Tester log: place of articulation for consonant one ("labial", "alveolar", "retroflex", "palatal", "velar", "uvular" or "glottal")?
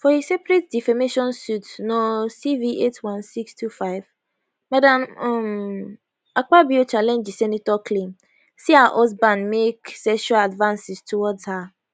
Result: labial